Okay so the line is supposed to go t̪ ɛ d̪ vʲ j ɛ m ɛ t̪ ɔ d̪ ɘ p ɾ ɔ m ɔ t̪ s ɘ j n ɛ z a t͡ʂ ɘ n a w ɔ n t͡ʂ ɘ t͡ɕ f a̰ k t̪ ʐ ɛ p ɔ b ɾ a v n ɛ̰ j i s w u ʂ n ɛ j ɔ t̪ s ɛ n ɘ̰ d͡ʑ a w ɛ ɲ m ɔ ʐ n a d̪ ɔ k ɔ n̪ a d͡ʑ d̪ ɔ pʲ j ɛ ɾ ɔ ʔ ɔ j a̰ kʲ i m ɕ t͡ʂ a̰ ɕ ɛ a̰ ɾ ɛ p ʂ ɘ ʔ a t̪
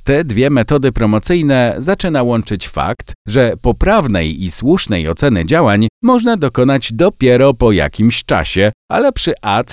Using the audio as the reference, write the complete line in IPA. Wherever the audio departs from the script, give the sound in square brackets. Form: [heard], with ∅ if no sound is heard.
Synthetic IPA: t̪ ɛ d̪ vʲ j ɛ m ɛ t̪ ɔ d̪ ɘ p ɾ ɔ m ɔ t̪ s ɘ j n ɛ z a t͡ʂ ɘ n a w ɔ n t͡ʂ ɘ t͡ɕ f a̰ k t̪ ʐ ɛ p ɔ [p] ɾ a v n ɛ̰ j i s w u ʂ n ɛ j ɔ t̪ s ɛ n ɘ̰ d͡ʑ a w [a] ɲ m ɔ ʐ n a d̪ ɔ k ɔ n̪ a d͡ʑ d̪ ɔ pʲ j ɛ ɾ ɔ [p] ɔ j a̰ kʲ i m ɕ t͡ʂ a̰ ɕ ɛ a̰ [l] ɛ p ʂ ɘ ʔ a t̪